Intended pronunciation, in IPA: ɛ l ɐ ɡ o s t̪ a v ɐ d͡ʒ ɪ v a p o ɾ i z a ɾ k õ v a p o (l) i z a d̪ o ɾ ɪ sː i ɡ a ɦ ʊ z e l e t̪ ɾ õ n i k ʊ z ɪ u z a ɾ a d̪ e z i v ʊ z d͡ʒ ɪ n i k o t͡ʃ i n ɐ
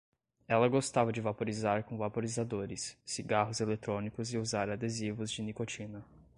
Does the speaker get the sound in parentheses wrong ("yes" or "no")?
yes